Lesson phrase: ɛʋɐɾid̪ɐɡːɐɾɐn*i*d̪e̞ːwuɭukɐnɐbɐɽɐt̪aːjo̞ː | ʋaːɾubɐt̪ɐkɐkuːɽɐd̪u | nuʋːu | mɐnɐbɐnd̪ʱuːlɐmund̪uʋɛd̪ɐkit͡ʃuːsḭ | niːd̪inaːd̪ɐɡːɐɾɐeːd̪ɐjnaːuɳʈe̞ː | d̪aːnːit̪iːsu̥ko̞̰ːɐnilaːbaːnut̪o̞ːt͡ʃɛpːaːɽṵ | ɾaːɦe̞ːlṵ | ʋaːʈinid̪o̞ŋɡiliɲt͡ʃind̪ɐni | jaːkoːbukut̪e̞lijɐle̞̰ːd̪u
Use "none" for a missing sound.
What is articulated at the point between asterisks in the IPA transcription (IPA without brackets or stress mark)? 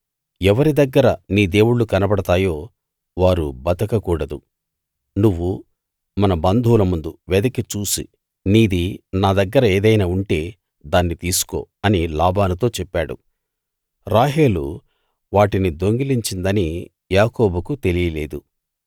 iː